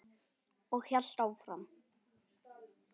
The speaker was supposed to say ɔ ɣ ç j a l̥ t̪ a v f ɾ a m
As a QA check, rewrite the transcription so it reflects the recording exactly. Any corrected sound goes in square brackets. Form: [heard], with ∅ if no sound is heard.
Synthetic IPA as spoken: ɔ ɣ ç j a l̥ t̪ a [w] f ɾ a m